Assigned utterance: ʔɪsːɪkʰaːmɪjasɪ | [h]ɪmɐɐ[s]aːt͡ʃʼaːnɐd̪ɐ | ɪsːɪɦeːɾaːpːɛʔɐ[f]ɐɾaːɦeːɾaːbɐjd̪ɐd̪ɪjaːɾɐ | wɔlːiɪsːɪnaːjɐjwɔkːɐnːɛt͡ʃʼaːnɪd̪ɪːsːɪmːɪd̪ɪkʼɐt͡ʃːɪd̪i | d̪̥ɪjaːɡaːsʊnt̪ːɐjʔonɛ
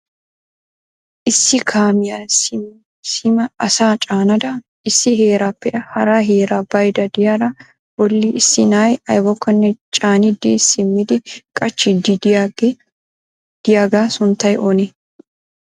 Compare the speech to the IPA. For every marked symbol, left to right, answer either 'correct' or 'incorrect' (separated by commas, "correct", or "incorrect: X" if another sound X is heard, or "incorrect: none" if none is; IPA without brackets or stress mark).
incorrect: s, correct, incorrect: h